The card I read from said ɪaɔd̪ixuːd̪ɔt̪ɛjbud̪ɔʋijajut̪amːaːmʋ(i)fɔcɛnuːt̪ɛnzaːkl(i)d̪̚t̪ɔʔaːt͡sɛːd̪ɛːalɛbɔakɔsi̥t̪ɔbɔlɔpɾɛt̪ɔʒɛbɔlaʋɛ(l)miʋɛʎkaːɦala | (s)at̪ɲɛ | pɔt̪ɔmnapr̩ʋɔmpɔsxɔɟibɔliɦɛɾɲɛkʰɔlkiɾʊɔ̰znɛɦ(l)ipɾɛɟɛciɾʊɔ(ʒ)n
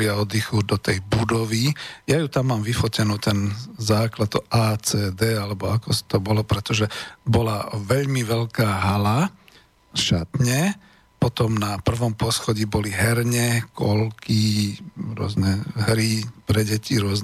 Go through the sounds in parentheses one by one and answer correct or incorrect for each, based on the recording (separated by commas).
correct, incorrect, incorrect, incorrect, incorrect, incorrect